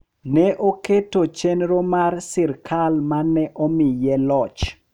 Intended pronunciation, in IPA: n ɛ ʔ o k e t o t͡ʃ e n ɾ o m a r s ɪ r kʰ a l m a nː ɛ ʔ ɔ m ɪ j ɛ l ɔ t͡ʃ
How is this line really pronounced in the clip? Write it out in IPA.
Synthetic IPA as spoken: n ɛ ʔ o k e t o t͡ʃ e n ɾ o m a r s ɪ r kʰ a l m a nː ɛ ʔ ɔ m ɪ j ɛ l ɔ t͡ʃ